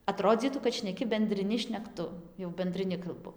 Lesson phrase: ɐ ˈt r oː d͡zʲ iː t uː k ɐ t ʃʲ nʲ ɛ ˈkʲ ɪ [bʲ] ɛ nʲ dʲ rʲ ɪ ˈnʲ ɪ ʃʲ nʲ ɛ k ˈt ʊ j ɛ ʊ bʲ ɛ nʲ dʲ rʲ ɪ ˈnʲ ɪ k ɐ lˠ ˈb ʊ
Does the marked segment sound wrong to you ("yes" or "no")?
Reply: no